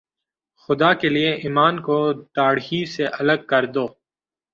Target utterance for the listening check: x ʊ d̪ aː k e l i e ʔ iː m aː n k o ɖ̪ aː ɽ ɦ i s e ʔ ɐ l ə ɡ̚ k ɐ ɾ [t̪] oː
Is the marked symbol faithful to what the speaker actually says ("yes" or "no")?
no